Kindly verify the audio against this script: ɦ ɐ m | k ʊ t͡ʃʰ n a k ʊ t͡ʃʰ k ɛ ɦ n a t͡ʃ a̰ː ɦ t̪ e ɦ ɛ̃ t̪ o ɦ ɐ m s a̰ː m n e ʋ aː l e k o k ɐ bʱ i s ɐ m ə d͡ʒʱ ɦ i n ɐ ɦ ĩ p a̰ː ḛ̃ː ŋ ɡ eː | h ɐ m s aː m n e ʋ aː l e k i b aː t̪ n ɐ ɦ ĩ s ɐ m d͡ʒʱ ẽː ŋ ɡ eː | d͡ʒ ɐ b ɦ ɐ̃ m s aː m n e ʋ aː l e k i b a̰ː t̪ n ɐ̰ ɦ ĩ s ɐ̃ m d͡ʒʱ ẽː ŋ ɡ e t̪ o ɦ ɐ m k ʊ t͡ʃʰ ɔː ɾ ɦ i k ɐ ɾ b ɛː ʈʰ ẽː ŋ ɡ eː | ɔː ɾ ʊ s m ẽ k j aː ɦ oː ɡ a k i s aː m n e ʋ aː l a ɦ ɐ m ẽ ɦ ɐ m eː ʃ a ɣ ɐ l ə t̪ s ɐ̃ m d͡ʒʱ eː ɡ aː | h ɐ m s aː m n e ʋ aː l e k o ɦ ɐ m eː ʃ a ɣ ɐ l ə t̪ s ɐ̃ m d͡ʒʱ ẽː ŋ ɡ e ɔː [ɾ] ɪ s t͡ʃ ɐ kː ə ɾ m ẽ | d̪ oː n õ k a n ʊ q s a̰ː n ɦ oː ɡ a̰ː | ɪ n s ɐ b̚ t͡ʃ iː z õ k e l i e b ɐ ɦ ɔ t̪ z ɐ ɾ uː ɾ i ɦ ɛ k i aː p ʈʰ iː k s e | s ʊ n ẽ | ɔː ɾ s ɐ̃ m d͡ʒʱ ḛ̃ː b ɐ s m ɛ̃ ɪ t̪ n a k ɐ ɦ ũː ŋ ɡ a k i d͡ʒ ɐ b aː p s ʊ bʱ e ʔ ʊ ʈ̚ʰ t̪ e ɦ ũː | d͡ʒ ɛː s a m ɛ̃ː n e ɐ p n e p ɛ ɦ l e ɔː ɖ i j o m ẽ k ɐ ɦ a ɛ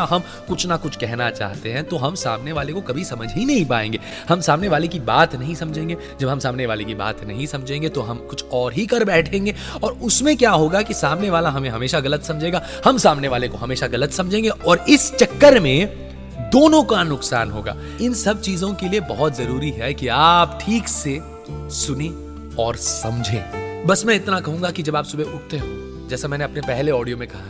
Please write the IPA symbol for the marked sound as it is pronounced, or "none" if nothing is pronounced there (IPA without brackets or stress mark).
ɾ